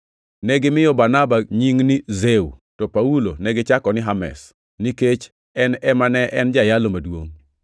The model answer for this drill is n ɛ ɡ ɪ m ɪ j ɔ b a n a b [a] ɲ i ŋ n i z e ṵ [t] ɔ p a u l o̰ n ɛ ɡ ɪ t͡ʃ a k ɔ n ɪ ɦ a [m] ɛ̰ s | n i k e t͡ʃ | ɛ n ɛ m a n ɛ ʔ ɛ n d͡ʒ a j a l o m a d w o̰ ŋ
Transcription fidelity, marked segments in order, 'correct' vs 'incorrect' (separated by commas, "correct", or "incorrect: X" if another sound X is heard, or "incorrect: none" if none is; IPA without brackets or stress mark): correct, correct, correct